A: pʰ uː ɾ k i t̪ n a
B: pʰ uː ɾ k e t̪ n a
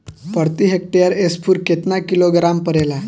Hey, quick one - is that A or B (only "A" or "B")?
B